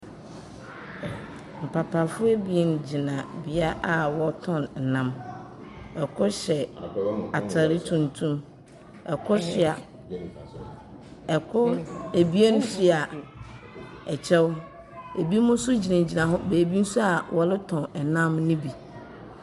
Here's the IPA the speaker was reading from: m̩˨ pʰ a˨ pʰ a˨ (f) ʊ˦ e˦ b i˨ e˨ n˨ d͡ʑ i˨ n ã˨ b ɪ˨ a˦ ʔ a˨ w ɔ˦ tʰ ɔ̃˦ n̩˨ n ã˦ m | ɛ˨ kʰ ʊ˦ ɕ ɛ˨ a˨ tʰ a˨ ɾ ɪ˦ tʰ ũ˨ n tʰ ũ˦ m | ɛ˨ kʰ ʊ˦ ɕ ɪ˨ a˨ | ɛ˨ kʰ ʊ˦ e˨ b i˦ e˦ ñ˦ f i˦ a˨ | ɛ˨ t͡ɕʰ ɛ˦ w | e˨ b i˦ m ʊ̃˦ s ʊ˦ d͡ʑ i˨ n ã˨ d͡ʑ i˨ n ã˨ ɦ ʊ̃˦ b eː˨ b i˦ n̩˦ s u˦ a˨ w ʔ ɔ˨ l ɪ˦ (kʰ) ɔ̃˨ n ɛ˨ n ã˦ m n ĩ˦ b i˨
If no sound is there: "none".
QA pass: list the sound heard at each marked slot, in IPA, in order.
f, tʰ

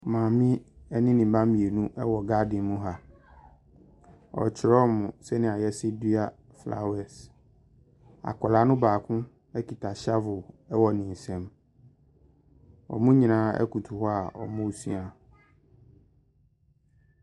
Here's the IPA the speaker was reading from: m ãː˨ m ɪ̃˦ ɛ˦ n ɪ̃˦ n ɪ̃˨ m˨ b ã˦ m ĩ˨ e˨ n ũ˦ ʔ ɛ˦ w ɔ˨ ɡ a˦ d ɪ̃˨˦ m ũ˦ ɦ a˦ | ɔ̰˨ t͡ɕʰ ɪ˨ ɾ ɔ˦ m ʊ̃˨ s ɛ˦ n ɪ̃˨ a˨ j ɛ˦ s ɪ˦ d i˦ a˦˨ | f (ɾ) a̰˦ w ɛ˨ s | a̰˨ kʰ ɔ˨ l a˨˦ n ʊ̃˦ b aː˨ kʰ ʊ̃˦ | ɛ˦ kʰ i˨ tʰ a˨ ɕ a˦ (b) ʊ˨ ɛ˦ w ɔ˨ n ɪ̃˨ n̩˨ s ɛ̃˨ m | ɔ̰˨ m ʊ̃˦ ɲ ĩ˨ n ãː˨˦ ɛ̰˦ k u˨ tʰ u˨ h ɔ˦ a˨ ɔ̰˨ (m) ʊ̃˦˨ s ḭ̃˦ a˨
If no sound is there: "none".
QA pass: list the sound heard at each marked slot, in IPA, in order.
l, v, m

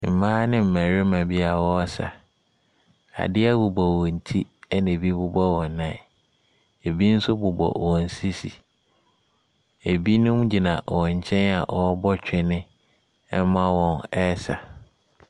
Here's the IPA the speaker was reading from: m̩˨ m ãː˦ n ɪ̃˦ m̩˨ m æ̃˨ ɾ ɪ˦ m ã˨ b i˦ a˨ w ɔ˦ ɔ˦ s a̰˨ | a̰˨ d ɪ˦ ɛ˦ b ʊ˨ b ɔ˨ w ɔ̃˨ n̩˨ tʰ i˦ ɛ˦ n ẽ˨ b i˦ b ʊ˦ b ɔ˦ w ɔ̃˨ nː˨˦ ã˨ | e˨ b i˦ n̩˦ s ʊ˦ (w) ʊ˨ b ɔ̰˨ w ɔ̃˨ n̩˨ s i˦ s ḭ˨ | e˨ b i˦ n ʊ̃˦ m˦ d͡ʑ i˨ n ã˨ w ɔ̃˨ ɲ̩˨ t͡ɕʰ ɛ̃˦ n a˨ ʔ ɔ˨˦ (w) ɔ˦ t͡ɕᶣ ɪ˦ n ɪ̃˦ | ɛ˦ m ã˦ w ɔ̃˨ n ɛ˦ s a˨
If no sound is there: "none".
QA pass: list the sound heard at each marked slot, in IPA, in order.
b, b

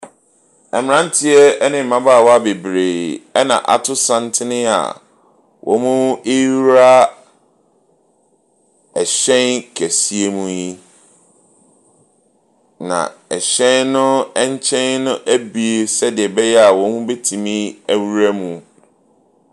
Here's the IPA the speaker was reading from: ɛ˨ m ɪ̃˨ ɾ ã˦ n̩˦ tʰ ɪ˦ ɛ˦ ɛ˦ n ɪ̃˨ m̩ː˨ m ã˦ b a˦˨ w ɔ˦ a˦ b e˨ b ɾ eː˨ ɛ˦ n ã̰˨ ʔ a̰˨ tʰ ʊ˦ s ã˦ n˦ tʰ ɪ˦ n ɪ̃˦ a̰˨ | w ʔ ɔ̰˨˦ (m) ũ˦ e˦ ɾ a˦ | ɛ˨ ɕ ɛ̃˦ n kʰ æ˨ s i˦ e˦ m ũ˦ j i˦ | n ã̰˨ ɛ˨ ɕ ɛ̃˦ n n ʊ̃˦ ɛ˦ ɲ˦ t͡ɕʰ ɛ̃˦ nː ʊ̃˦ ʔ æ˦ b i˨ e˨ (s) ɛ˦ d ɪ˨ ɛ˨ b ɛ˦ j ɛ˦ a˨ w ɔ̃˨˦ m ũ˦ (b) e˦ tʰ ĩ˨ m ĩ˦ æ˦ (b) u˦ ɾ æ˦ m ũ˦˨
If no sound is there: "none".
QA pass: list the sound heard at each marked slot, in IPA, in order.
m, s, b, w

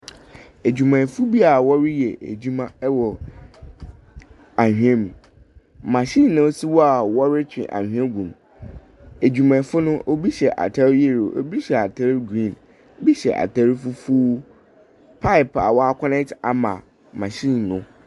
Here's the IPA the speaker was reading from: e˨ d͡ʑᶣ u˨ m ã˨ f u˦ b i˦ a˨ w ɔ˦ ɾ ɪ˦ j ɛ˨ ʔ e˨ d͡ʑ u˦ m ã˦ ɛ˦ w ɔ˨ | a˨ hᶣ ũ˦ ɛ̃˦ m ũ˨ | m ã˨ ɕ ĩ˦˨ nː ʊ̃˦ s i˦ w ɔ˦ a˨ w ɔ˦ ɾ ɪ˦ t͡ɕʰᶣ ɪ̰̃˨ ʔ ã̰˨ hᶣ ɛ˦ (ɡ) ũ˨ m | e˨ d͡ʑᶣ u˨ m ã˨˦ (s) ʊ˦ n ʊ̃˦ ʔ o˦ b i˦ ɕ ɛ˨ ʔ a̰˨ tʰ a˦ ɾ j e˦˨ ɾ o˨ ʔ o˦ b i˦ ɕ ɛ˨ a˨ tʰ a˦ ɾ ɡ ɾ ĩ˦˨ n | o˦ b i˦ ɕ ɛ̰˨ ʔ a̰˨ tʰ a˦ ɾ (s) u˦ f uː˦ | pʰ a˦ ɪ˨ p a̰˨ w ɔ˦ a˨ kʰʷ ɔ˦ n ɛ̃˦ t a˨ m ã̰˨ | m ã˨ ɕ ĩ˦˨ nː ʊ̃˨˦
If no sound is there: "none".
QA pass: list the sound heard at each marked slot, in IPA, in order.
ɡ, f, f

